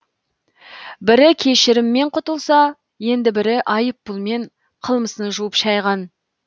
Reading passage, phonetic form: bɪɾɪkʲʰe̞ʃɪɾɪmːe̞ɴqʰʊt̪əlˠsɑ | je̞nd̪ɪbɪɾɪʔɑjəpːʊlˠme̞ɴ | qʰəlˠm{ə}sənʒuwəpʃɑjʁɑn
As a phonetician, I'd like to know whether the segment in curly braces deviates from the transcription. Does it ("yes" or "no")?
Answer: no